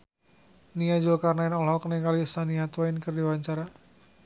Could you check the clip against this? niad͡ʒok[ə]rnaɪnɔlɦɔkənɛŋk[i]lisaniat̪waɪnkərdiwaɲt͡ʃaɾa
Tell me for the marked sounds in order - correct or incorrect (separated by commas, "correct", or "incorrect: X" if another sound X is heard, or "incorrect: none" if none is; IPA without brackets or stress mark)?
incorrect: a, incorrect: a